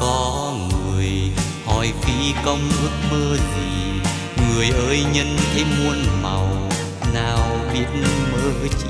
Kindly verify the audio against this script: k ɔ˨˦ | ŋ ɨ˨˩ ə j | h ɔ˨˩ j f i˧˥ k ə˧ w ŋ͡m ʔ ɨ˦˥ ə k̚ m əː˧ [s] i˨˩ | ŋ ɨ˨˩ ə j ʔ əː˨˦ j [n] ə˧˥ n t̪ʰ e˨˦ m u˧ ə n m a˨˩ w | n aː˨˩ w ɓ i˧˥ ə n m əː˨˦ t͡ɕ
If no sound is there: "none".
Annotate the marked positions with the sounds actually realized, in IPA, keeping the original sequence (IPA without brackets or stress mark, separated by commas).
z, ɲ